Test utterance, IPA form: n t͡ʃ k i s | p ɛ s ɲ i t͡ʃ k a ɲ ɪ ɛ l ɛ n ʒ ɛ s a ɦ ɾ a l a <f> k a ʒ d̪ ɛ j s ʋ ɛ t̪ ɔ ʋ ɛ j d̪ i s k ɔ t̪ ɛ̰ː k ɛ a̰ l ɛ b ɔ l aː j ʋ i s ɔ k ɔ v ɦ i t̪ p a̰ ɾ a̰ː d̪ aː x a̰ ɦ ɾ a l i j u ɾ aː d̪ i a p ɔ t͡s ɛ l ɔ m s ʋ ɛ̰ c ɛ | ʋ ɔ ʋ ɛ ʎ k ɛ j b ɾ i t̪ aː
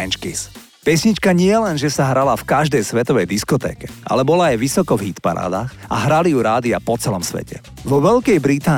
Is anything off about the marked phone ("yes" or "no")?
no